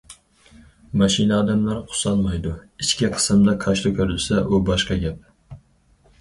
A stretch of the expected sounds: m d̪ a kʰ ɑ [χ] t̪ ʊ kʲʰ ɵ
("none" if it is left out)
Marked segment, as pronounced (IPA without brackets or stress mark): ʃ